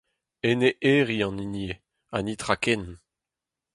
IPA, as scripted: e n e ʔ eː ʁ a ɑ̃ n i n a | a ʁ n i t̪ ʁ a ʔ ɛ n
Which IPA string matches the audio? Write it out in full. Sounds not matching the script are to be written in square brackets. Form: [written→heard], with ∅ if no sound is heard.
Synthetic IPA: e n e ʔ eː ʁ [a→i] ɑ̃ n i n [a→e] | a [ʁ→∅] n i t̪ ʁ a [ʔ→k] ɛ n